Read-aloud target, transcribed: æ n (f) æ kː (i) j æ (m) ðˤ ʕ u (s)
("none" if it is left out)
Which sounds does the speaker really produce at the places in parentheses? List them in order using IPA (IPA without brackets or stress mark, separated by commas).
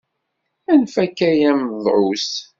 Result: f, æ, m, s